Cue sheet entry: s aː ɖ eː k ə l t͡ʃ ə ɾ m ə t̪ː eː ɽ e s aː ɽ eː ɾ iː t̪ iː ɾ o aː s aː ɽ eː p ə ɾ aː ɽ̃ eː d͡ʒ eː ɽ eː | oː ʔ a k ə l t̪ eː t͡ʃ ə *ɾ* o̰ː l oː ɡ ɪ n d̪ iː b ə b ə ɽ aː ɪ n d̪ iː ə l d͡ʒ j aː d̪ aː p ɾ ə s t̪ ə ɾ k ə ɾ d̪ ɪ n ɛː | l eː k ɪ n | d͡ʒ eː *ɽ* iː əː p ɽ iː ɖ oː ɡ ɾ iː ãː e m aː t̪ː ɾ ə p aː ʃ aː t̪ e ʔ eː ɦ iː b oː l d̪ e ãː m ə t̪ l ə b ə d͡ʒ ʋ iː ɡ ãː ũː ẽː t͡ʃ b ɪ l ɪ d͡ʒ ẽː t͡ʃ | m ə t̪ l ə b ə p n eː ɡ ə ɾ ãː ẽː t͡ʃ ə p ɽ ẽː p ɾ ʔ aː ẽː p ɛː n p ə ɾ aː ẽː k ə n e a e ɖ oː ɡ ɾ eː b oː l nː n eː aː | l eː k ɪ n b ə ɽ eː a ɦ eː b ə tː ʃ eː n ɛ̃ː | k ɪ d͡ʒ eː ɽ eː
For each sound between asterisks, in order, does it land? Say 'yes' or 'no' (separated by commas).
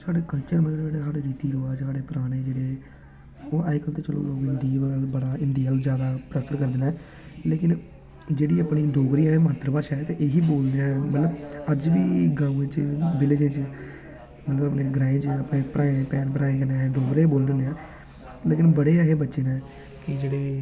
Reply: no, yes